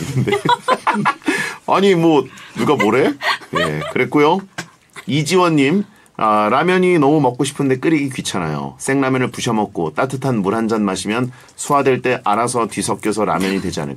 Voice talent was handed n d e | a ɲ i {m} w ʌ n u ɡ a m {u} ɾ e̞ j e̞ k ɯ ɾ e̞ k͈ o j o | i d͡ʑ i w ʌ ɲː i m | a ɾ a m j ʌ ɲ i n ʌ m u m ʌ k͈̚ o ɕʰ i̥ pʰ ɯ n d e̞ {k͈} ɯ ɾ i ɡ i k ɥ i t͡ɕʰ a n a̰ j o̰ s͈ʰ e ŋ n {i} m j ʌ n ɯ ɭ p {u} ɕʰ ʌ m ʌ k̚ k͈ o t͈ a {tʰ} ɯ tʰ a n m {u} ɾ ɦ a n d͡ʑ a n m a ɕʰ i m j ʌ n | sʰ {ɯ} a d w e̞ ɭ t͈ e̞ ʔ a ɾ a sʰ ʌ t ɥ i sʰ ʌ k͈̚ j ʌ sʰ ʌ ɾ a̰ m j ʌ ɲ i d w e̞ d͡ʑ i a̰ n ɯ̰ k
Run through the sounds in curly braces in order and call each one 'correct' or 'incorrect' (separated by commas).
correct, incorrect, correct, incorrect, correct, correct, correct, incorrect